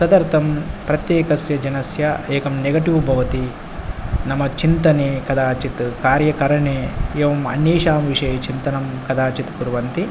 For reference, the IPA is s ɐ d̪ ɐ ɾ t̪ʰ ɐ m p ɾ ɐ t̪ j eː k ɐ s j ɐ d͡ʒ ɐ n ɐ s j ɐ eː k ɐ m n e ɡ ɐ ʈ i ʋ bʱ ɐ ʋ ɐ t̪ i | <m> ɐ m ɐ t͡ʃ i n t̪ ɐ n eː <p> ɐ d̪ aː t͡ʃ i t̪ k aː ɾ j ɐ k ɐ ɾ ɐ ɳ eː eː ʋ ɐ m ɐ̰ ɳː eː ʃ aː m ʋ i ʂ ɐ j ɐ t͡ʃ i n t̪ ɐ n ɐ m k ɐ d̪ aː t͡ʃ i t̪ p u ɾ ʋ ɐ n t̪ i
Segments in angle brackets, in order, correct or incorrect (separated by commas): incorrect, incorrect